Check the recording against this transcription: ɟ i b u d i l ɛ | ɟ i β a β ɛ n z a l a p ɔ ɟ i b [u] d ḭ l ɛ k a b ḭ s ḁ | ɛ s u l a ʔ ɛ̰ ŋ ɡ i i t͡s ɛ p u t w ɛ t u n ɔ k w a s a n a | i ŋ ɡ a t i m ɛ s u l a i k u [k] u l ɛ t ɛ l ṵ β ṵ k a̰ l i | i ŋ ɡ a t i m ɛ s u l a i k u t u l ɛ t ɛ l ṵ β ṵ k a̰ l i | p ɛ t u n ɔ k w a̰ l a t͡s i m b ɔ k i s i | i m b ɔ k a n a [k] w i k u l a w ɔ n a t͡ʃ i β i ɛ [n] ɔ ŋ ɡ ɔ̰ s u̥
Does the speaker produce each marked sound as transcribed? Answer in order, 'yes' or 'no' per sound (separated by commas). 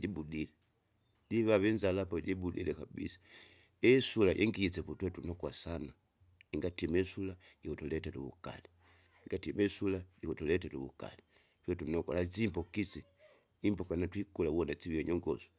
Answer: yes, no, no, no